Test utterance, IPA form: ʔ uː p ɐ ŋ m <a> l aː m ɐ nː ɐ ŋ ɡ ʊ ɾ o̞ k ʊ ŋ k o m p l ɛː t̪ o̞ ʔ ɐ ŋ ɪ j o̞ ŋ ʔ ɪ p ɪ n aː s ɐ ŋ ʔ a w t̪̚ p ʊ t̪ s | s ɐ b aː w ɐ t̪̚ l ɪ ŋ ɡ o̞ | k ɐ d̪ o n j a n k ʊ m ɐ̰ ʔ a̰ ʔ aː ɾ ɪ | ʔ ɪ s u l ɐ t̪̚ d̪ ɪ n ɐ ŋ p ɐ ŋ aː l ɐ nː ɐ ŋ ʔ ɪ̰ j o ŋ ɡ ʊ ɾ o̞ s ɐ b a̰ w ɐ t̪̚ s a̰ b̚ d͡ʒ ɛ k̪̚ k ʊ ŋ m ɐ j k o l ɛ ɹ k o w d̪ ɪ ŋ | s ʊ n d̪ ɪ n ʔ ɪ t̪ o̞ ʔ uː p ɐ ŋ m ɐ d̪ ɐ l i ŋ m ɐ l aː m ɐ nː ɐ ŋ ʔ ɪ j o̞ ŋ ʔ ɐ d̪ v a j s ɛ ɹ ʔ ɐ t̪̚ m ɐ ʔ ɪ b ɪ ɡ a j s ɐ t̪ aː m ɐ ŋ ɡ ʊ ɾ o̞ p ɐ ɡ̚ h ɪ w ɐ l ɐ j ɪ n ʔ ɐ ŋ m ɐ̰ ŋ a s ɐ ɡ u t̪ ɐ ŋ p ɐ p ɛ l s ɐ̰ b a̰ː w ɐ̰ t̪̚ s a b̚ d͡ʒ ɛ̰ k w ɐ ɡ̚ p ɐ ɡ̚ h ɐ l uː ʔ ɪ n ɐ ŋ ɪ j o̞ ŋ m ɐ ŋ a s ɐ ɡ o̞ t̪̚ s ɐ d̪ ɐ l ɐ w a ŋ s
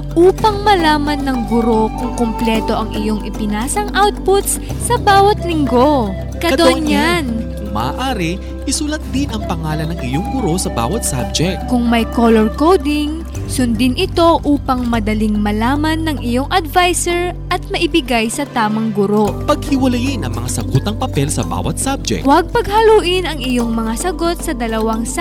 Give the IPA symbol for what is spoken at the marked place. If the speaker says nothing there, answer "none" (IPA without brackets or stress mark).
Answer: ɐ